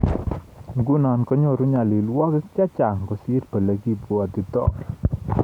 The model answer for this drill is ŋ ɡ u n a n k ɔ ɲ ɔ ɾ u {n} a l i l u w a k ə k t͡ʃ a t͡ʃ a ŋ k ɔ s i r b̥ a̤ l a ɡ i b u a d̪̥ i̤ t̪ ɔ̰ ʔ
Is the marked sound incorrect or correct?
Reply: incorrect